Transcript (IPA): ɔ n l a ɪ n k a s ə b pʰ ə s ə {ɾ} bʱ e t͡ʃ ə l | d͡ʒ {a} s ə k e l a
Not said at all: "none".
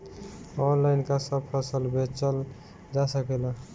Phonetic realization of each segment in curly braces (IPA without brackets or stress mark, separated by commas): l, a